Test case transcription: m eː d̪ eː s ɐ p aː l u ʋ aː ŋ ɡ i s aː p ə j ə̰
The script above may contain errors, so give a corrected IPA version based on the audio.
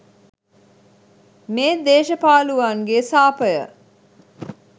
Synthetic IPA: m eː d̪ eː ʃ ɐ p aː l u ʋ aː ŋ ɡ e s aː p ə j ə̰